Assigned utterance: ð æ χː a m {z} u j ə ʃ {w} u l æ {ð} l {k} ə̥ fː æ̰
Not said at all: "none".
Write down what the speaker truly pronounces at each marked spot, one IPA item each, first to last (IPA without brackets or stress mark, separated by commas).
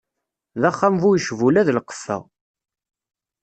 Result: v, v, ð, q